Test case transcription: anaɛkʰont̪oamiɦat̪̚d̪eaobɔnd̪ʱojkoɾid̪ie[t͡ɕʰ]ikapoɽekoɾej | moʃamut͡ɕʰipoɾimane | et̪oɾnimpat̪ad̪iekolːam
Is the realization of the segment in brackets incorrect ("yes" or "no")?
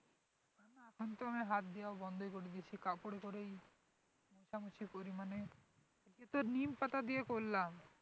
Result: no